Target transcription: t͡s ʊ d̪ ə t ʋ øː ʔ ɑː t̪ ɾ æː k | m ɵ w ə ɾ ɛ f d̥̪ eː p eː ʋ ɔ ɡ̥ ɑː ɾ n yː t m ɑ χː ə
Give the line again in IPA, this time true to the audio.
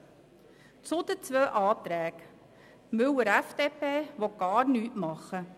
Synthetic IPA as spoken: t͡s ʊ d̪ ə t͡s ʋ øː ʔ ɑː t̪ ɾ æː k | m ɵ w ə ɾ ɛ f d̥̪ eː p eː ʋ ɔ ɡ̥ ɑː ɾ n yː t m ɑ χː ə